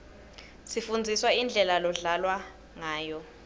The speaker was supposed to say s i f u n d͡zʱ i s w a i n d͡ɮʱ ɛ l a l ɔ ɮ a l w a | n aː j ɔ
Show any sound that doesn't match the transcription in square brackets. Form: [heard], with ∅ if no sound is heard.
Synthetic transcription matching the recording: s i f u n d͡zʱ i s w a i n d͡ɮʱ ɛ l a l ɔ ɮ a l w a | [ŋ] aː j ɔ